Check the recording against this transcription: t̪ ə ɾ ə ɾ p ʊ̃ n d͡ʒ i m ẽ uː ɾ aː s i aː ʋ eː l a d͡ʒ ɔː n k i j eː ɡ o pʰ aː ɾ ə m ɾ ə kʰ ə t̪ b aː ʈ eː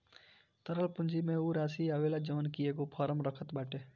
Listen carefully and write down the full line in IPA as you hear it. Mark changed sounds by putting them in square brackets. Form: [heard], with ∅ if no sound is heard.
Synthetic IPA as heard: t̪ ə ɾ ə [l] p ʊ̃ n d͡ʒ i m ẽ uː ɾ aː s i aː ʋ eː l a d͡ʒ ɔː n k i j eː ɡ o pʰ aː ɾ ə m ɾ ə kʰ ə t̪ b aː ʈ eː